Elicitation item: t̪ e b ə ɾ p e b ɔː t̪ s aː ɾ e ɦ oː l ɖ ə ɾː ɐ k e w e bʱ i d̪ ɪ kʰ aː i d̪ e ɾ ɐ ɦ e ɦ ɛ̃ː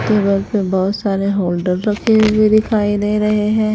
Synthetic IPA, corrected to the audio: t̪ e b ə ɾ p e b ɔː t̪ s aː ɾ e ɦ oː l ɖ ə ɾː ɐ kʰ e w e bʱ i d̪ ɪ kʰ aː i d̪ e ɾ ɐ ɦ e ɦ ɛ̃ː